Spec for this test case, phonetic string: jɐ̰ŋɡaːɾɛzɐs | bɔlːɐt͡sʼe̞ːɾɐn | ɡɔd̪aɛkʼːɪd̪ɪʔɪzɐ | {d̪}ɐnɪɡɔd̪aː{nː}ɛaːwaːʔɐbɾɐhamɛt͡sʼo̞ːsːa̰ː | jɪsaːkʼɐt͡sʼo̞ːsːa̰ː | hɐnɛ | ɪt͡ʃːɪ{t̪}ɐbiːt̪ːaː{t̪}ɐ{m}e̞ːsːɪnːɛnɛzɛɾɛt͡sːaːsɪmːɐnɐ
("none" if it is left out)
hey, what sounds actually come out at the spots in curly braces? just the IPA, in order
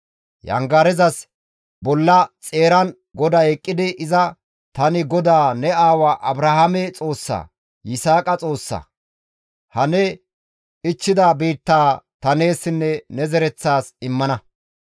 t̪, n, d̪, t̪, n

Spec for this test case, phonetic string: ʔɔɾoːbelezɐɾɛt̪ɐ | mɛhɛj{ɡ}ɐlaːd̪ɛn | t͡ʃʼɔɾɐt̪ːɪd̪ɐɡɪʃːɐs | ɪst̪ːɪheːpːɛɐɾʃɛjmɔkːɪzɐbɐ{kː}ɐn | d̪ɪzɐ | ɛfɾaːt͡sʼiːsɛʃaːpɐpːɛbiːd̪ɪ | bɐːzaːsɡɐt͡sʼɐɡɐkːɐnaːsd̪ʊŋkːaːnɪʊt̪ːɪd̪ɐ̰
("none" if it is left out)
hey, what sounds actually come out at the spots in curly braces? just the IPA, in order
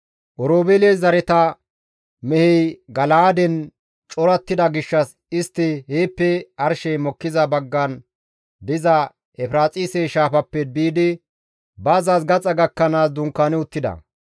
ɡ, ɡː

